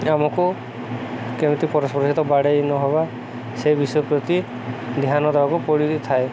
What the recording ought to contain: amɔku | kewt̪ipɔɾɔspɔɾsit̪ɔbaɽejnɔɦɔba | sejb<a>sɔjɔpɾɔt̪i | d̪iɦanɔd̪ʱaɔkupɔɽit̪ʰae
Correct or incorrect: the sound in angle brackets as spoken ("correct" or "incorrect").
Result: incorrect